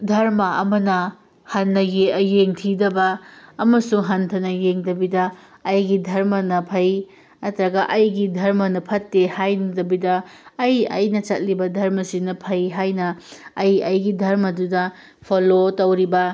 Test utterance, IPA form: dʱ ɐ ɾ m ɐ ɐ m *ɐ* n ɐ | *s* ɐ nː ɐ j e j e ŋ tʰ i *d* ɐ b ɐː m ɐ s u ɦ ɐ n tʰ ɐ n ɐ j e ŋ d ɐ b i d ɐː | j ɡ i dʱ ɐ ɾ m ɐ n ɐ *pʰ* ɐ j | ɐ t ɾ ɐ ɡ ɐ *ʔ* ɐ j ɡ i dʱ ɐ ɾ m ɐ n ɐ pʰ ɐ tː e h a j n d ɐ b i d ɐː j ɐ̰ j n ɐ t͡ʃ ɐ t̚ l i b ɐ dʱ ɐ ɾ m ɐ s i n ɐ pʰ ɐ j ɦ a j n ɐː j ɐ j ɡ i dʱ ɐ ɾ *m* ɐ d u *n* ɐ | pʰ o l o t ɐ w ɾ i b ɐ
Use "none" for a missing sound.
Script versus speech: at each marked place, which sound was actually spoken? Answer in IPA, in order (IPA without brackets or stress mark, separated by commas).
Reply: ɐ, h, d, pʰ, ʔ, m, d